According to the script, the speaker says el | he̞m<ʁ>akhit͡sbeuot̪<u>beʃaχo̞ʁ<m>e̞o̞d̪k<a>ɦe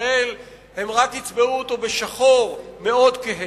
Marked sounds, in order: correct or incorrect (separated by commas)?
correct, incorrect, correct, incorrect